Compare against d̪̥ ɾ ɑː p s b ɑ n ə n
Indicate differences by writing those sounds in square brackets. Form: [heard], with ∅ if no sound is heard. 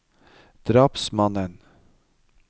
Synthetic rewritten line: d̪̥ ɾ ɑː p s [m] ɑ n ə n